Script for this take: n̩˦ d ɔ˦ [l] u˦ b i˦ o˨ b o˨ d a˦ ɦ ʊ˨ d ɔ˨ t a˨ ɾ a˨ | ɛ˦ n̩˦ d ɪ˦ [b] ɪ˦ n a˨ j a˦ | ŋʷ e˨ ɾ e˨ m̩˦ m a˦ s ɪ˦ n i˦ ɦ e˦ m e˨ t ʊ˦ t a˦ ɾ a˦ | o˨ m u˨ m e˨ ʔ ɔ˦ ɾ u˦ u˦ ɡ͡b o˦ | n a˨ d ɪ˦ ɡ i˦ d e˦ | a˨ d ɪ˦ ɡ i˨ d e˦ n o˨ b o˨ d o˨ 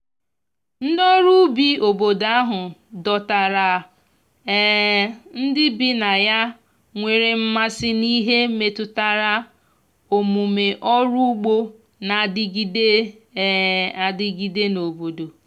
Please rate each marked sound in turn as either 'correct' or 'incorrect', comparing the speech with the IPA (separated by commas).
incorrect, correct